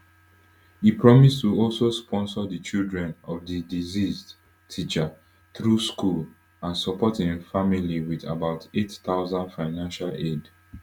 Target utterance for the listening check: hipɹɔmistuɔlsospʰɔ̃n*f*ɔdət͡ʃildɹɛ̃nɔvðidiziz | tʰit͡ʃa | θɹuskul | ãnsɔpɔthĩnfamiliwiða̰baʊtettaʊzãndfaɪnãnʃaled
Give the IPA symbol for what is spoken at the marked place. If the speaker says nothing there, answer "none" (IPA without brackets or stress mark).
s